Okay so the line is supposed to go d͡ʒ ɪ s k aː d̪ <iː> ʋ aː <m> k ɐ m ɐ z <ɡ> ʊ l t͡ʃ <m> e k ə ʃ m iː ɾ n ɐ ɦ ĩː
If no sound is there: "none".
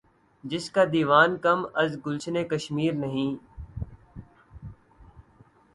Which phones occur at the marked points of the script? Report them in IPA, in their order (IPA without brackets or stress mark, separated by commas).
iː, n, ɡ, n